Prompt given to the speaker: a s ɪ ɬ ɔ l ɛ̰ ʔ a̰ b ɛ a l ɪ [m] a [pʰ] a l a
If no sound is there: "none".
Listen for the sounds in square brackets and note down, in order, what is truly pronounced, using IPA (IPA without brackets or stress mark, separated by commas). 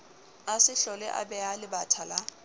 b, tʰ